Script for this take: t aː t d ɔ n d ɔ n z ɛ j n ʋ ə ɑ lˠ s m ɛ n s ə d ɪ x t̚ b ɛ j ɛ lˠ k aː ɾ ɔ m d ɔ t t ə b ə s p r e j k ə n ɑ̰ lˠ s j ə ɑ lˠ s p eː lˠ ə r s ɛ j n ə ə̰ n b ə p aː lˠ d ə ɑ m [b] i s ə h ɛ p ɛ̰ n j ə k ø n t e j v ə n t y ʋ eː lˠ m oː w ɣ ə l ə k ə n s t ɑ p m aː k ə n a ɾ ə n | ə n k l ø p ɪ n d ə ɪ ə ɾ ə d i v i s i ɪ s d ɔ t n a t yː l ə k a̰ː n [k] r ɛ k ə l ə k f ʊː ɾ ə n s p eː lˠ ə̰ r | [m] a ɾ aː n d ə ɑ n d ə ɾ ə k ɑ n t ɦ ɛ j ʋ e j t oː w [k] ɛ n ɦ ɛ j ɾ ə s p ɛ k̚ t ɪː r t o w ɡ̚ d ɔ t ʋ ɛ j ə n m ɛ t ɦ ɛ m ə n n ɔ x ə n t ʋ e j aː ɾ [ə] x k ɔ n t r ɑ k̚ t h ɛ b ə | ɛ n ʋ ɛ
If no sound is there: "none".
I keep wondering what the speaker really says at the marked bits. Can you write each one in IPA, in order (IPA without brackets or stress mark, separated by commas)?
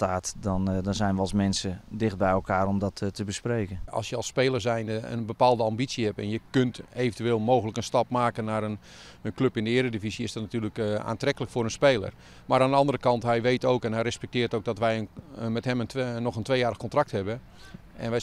b, t, m, k, ə